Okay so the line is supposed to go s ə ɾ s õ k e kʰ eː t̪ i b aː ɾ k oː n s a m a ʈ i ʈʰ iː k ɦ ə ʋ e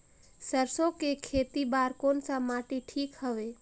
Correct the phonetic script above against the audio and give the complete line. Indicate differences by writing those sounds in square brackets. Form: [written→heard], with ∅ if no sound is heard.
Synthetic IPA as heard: s ə ɾ s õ k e kʰ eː t̪ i b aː ɾ k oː n s a m a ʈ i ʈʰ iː k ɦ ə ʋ e